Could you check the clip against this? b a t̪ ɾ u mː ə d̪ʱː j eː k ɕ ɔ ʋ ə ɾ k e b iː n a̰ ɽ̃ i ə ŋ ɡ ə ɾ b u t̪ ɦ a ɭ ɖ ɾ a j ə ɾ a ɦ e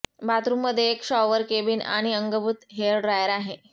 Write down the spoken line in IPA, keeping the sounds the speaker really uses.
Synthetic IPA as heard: b a t̪ ɾ u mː ə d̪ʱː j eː k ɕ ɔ ʋ ə ɾ k e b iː n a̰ ɽ̃ i ə ŋ ɡ ə b u t̪ ɦ e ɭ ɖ ɾ a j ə ɾ a ɦ e